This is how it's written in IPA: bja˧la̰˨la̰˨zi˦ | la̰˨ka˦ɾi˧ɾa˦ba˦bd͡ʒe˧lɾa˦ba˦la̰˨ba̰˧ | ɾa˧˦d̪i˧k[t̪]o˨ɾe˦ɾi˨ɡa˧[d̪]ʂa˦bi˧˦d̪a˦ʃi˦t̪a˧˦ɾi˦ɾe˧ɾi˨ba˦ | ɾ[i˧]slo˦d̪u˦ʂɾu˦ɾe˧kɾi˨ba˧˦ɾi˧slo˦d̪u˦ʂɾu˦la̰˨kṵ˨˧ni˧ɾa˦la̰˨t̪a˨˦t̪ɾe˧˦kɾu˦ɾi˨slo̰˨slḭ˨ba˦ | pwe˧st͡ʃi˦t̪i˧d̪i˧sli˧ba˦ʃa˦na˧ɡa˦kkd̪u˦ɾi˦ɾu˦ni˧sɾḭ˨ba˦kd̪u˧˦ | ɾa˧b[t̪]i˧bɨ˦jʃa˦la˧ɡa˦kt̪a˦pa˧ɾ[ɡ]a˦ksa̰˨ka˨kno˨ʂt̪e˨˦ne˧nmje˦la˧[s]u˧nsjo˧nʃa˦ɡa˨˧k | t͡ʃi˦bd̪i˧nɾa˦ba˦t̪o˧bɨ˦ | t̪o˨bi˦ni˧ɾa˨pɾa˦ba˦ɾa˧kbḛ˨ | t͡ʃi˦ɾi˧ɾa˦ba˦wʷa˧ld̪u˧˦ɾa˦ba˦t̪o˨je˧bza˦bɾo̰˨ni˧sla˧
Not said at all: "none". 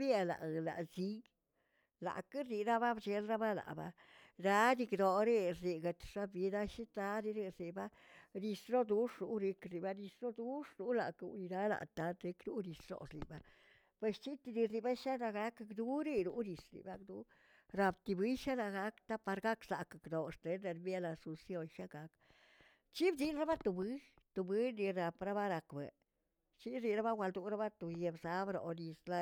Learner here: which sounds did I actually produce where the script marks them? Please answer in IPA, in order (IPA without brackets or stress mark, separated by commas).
d̪, t̪, i˧, t̪, ɡ, s